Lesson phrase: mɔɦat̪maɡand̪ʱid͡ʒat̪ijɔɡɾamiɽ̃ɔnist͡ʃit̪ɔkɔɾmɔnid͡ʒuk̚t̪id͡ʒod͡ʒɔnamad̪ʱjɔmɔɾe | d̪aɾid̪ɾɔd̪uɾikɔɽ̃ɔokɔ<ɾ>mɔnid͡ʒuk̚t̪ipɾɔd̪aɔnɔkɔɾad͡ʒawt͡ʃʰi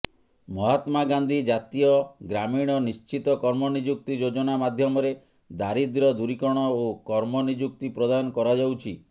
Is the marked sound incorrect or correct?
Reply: correct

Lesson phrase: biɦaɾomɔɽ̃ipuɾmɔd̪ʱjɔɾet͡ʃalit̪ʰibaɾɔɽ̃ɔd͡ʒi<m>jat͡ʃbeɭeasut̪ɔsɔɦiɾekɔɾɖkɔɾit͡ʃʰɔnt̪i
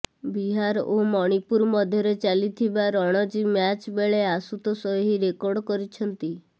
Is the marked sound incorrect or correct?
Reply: correct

